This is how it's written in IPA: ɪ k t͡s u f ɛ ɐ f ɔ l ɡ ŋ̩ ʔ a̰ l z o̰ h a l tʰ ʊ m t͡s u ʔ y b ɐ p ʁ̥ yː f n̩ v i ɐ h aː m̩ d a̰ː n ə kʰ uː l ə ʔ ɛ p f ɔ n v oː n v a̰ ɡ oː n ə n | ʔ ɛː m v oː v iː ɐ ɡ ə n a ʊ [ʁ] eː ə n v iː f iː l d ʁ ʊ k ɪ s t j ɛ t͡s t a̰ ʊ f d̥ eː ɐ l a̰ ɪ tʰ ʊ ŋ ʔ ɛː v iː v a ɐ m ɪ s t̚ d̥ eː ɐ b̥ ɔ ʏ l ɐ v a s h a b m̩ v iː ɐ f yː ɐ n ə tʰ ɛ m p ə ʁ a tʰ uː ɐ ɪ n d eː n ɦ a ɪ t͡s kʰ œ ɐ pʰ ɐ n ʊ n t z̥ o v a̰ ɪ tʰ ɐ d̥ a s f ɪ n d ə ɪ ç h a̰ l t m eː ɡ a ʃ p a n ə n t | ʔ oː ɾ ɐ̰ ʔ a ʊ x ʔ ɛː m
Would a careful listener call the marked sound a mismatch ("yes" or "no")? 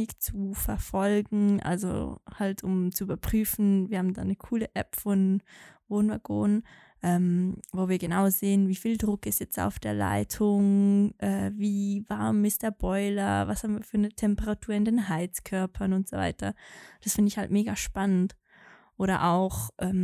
yes